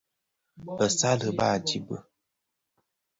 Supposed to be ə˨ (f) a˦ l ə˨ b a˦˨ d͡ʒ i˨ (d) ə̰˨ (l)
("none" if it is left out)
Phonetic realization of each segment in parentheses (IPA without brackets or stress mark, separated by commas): s, b, none